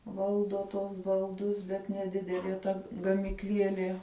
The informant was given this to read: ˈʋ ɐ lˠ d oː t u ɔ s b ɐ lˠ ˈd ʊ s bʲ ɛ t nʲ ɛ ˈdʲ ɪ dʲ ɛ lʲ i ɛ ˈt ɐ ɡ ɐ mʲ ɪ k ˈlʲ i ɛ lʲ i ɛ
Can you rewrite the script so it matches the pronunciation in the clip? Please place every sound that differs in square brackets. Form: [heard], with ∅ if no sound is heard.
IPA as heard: ˈʋ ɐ lˠ d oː t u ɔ s b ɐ lˠ ˈd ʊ s bʲ ɛ t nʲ ɛ ˈdʲ ɪ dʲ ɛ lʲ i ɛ ˈt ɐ ɡ ɐ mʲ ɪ k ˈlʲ i ɛ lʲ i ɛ